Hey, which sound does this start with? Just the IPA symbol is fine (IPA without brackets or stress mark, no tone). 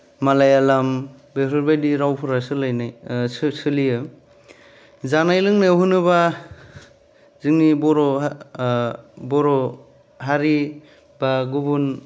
m